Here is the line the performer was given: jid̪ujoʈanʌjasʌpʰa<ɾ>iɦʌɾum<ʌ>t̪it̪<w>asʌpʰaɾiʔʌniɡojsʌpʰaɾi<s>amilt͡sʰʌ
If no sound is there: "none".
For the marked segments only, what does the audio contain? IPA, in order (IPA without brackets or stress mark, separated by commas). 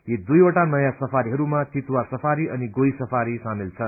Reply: ɾ, a, w, s